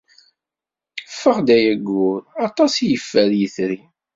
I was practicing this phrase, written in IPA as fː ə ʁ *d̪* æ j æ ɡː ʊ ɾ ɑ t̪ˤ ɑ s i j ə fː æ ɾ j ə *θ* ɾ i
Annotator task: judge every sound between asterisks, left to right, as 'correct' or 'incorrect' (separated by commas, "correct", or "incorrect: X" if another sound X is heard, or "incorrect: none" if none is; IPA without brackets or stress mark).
correct, correct